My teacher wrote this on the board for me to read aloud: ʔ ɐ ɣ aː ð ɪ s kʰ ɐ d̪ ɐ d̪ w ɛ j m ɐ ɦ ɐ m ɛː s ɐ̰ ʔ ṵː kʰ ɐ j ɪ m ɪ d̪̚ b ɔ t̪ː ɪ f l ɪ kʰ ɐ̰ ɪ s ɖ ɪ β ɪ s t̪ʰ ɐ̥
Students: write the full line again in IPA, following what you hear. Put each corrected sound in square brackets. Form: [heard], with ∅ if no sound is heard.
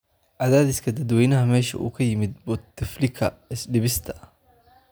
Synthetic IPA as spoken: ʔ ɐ [ð] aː ð ɪ s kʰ ɐ d̪ ɐ d̪ w ɛ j [n] ɐ ɦ ɐ m ɛː [ʃ] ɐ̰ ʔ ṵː kʰ ɐ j ɪ m ɪ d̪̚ b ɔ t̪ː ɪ f l ɪ kʰ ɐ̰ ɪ s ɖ ɪ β ɪ s t̪ʰ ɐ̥